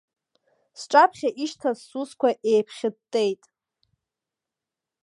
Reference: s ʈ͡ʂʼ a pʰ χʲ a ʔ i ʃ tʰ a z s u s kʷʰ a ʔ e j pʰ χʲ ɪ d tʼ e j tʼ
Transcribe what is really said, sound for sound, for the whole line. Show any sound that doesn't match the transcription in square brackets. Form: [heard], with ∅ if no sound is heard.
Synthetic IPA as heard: s ʈ͡ʂʼ a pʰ χʲ a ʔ i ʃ tʰ a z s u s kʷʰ a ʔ e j pʰ χʲ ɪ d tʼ e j tʼ

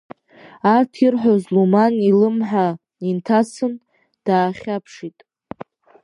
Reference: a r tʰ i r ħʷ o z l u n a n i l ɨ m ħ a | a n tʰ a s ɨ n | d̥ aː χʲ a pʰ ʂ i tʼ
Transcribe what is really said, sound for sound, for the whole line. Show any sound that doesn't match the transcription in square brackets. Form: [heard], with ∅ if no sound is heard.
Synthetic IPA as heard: a r tʰ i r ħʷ o z l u [m] a n i l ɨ m ħ a | [i] n tʰ a s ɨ n | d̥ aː χʲ a pʰ ʂ i tʼ

